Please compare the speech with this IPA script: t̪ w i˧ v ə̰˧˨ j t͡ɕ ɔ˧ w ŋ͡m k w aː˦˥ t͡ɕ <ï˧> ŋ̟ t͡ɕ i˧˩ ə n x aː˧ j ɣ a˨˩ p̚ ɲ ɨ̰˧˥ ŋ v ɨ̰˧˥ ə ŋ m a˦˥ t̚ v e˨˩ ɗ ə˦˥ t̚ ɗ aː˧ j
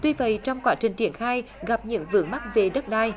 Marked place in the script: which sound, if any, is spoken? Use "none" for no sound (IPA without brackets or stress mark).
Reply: ï˨˩